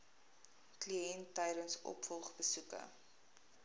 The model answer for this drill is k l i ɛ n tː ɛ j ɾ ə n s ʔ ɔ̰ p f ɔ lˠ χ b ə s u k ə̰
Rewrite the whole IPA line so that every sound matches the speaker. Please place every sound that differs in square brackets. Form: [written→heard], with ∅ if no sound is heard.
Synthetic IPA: k l i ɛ n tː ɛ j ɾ ə n s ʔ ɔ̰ p f ɔ lˠ χ b ə s u k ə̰